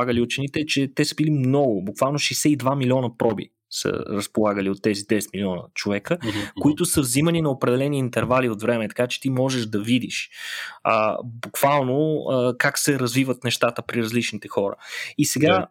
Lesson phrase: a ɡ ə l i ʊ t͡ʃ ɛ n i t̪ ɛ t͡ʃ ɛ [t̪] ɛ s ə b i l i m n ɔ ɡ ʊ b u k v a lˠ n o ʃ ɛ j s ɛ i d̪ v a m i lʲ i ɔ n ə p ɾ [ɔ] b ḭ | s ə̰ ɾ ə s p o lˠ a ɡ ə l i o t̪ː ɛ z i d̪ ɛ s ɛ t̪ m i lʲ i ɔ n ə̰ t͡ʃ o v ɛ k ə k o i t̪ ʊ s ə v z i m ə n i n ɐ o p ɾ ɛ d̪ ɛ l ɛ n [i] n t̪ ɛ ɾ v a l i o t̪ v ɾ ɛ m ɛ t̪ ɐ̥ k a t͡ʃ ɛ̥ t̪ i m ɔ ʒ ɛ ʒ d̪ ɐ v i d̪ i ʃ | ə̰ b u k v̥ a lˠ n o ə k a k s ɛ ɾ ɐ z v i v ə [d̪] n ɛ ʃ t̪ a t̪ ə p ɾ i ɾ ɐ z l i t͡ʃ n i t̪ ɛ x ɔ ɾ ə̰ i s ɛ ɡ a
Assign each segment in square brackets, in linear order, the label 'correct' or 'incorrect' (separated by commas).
correct, correct, incorrect, incorrect